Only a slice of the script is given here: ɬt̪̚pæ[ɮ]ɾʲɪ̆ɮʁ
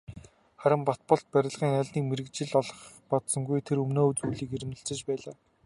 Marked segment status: incorrect: none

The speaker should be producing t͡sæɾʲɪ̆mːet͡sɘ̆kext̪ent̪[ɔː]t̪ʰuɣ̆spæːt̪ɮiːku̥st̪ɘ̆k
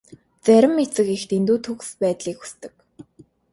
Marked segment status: incorrect: uː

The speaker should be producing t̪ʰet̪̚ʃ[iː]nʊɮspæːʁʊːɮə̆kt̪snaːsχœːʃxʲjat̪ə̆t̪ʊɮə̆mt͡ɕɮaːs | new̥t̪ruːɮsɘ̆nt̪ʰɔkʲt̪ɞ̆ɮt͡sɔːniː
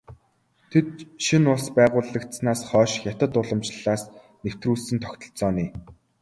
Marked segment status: incorrect: i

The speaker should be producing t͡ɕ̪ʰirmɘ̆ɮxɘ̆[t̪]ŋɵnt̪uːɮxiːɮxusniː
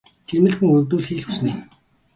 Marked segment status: incorrect: none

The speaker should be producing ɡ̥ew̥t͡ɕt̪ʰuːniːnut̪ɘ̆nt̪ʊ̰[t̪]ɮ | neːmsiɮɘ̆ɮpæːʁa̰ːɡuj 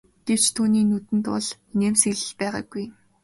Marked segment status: incorrect: none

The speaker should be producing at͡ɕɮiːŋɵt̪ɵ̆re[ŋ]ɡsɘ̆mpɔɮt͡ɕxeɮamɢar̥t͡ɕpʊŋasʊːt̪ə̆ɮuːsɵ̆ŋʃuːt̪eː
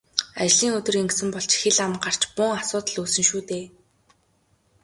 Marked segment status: correct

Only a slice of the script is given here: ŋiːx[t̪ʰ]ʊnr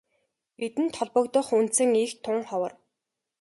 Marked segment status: correct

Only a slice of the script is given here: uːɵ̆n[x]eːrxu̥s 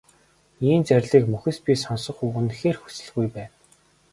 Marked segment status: correct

